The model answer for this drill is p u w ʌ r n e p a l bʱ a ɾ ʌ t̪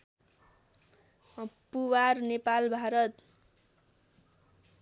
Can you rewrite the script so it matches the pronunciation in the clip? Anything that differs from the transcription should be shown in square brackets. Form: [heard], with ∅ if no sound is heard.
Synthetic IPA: p u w [a] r n e p a l bʱ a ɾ ʌ t̪